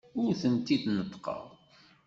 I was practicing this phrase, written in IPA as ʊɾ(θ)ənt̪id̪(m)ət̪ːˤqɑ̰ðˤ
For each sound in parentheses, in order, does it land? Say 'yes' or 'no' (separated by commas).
yes, no